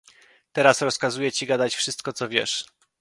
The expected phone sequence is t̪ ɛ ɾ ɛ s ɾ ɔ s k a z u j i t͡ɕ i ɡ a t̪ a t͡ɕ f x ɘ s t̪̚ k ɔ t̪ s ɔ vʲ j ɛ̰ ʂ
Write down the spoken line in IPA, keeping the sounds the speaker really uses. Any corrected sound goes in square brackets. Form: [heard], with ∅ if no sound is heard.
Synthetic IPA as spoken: t̪ ɛ ɾ [a] s ɾ ɔ s k a z u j [ɛ] t͡ɕ i ɡ a [d̪] a t͡ɕ f [ʂ] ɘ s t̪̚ k ɔ t̪ s ɔ vʲ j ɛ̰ ʂ

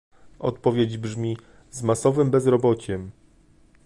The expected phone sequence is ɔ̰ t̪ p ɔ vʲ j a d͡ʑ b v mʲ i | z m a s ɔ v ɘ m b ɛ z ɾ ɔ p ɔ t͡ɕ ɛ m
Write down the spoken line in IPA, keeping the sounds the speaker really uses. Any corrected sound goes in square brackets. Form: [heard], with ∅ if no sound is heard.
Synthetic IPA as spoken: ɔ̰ t̪ p ɔ vʲ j [e] d͡ʑ b [ʐ] mʲ i | z m a s ɔ v ɘ m b ɛ z ɾ ɔ [b] ɔ t͡ɕ ɛ m

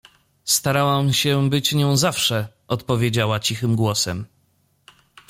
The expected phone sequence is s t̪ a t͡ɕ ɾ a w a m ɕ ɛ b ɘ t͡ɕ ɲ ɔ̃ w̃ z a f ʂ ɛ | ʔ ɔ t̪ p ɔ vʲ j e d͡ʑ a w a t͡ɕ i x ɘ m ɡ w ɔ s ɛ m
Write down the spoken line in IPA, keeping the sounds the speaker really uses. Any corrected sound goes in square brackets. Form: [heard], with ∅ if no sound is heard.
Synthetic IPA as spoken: s t̪ a [∅] ɾ a w a m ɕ ɛ b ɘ t͡ɕ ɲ ɔ̃ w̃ z a f ʂ ɛ | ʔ ɔ t̪ p ɔ vʲ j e d͡ʑ a w a t͡ɕ i x ɘ m ɡ w ɔ s ɛ m

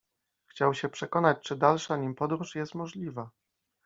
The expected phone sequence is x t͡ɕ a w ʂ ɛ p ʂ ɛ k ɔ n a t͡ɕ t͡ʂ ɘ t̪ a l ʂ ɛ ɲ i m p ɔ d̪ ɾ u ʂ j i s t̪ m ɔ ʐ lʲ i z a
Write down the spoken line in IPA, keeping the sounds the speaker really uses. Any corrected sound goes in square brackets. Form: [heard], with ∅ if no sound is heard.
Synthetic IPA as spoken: x t͡ɕ a w [ɕ] ɛ p ʂ ɛ k ɔ n a t͡ɕ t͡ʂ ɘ [d̪] a l ʂ [a] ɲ i m p ɔ d̪ ɾ u ʂ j [ɛ] s t̪ m ɔ ʐ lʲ i [v] a

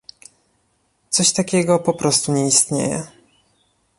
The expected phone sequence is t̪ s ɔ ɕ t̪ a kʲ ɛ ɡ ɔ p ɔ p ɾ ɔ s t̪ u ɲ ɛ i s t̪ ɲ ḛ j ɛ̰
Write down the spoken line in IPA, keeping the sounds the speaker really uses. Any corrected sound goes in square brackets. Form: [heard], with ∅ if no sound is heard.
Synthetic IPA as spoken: t̪ s ɔ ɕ t̪ a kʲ ɛ ɡ ɔ p ɔ p ɾ ɔ s t̪ u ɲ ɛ i s t̪ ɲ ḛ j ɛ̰

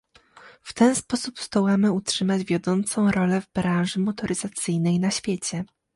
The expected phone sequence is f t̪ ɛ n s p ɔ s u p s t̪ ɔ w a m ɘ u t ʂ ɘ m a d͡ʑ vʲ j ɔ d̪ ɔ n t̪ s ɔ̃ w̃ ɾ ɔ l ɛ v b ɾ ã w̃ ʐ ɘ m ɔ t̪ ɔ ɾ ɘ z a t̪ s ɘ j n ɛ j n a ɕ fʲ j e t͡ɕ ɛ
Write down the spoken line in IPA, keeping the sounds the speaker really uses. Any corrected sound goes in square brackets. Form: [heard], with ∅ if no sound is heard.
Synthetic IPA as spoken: f t̪ ɛ n s p ɔ s u p s t̪ ɔ w a m ɘ u t ʂ ɘ m a d͡ʑ vʲ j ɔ d̪ ɔ n t̪ s ɔ̃ w̃ ɾ ɔ l ɛ v b ɾ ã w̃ ʐ ɘ m ɔ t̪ ɔ ɾ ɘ z a t̪ s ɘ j n ɛ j n a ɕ fʲ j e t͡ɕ ɛ

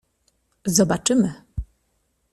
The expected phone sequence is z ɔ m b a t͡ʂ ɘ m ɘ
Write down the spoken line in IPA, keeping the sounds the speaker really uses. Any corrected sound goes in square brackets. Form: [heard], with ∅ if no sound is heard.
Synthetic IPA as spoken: z ɔ [∅] b a t͡ʂ ɘ m ɘ

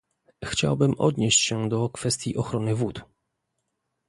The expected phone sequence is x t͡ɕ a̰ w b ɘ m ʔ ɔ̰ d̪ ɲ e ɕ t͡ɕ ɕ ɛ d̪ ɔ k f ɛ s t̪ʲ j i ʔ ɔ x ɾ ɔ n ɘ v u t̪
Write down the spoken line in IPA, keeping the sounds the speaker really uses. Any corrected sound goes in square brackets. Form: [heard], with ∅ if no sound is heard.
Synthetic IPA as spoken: x t͡ɕ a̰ w b ɘ m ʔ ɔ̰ d̪ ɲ e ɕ t͡ɕ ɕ ɛ d̪ ɔ k f ɛ s t̪ʲ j i ʔ ɔ x ɾ ɔ n ɘ v u t̪

